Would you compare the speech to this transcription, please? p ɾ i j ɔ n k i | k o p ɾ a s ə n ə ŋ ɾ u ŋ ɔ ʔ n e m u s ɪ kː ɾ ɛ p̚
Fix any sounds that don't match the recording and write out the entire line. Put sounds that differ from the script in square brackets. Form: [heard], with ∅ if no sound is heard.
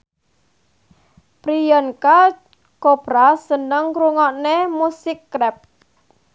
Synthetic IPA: p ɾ i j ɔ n k [a] | k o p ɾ a s ə n ə ŋ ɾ u ŋ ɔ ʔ n e m u s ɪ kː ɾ ɛ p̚